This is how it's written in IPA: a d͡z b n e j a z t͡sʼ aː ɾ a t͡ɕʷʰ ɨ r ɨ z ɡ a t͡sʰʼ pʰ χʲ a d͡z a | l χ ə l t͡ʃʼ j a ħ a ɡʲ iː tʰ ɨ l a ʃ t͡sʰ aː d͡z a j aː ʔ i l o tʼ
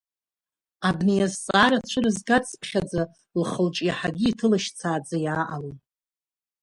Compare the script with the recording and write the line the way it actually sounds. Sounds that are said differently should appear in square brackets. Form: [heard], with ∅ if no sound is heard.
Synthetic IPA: a [∅] b n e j a z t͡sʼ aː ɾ a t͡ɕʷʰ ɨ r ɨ z ɡ a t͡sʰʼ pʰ χʲ a d͡z a | l χ ə l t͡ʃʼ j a ħ a ɡʲ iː tʰ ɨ l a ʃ t͡sʰ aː d͡z a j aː ʔ [a] l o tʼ